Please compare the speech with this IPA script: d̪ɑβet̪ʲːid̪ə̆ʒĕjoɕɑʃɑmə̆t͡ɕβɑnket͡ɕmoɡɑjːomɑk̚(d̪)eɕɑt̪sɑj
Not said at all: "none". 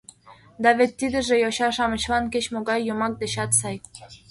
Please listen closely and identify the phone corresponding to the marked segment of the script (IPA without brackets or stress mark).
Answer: d̪